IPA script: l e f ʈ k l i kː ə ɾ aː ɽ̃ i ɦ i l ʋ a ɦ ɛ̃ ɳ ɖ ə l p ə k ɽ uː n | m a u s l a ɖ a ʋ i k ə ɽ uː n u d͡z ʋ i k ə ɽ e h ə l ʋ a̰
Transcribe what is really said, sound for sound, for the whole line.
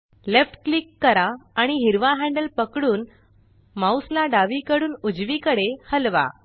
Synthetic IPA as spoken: l e f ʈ k l i kː ə ɾ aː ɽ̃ i ɦ i ɾ ʋ a ɦ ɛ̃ ɳ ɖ ə l p ə k ɽ uː n | m a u s l a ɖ a ʋ i k ə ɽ uː n u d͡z ʋ i k ə ɽ e h ə l ʋ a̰